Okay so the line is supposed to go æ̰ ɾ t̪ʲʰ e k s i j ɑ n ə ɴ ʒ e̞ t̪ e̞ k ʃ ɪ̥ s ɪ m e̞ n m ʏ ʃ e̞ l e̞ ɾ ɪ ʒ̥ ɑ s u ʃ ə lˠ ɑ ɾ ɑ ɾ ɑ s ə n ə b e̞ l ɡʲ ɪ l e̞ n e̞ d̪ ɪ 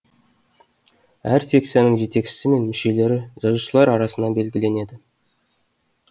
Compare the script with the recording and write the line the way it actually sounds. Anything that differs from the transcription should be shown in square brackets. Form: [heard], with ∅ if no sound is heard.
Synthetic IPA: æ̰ ɾ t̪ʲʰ e k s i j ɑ n ə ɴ ʒ e̞ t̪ e̞ k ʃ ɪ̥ s ɪ m e̞ n m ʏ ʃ e̞ l e̞ ɾ ɪ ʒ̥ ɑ [z] u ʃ ə lˠ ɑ ɾ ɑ ɾ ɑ s ə n [ɑ] b e̞ l ɡʲ ɪ l e̞ n e̞ d̪ ɪ